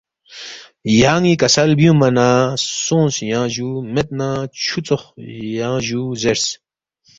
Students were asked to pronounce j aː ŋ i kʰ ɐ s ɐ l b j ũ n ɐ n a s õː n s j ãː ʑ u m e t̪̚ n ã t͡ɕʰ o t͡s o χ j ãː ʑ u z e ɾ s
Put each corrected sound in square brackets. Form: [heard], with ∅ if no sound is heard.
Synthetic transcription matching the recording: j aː ŋ i [k] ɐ s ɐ l b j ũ [m] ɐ n a s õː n s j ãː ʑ u m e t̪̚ n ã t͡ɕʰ [u] t͡s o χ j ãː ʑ u z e ɾ s